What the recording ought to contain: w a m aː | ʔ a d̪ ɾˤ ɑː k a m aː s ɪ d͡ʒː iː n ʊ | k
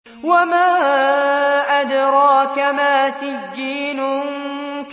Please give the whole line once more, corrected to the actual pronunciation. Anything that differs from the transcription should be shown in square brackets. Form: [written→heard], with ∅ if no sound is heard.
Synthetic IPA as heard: w a m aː | ʔ a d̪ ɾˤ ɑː k a m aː s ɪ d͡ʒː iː n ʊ | k